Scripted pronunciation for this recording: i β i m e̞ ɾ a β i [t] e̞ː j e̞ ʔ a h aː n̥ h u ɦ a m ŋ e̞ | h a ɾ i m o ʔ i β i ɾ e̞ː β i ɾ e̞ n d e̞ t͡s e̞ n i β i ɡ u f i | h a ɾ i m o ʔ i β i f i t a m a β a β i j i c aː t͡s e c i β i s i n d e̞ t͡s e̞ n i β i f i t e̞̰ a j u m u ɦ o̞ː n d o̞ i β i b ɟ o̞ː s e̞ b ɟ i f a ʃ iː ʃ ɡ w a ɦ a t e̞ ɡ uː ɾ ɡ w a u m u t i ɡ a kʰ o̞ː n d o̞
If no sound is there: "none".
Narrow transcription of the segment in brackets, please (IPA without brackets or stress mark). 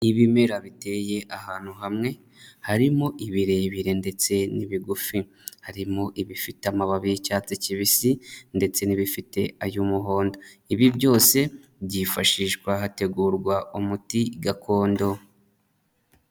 t